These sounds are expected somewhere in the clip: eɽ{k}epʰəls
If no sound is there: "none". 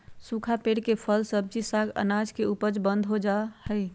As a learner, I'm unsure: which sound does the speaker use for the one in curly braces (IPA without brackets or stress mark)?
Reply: k